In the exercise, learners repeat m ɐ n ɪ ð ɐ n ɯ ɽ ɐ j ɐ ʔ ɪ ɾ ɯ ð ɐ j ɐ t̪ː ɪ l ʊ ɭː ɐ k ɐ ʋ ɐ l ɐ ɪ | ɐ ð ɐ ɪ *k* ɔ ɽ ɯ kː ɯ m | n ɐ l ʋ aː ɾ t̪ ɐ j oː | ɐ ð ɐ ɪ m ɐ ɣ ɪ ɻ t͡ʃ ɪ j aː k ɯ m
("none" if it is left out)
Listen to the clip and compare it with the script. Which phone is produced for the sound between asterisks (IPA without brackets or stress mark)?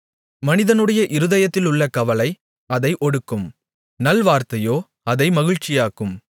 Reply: ʔ